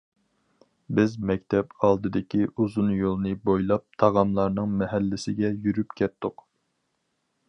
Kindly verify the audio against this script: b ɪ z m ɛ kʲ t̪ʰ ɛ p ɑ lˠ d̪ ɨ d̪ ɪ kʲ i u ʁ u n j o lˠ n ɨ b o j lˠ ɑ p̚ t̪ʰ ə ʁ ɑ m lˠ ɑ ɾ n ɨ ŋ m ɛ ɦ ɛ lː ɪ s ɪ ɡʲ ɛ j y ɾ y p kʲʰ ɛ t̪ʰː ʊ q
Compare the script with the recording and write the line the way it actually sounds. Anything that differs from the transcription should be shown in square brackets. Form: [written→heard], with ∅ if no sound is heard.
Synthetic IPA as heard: b ɪ z m ɛ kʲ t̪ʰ ɛ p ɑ lˠ d̪ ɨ d̪ ɪ kʲ i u [ʁ→z] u n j o lˠ n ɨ b o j lˠ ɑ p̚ t̪ʰ [ə→ɑ] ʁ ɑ m lˠ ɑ ɾ n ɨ ŋ m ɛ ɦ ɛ lː ɪ s ɪ ɡʲ ɛ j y ɾ y p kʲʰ ɛ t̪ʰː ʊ q